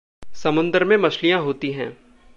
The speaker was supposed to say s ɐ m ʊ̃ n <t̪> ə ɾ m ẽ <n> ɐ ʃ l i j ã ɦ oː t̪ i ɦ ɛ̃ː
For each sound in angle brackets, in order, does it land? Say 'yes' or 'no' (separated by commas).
no, no